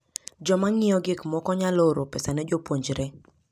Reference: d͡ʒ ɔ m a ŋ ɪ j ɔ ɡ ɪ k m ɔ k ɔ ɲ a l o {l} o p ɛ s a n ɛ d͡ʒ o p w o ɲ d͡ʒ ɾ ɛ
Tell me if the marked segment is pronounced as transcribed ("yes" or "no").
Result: no